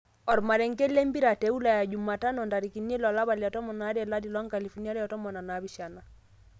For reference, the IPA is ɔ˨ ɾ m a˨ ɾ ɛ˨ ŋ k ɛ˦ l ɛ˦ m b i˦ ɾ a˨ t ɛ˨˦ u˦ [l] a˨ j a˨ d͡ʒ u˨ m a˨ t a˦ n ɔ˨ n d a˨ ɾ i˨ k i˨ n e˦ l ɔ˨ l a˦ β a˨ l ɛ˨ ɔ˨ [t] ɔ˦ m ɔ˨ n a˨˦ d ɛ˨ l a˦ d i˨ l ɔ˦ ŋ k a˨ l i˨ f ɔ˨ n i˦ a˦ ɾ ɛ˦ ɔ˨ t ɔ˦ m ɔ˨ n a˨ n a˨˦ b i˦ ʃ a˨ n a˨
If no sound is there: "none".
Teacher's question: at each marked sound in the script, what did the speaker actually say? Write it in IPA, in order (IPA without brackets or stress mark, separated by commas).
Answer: l, t